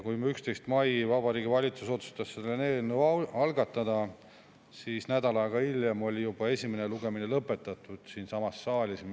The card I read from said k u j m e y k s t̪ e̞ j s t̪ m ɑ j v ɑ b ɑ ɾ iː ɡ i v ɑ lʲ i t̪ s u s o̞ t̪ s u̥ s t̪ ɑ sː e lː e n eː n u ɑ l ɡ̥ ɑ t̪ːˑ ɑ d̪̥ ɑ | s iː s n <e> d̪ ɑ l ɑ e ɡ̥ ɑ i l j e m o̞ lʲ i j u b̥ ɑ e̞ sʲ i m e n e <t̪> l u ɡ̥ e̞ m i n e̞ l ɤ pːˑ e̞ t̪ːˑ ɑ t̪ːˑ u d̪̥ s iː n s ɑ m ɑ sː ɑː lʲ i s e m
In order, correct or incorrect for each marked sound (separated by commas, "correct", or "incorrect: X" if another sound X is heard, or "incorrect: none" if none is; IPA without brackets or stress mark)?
incorrect: æ, incorrect: none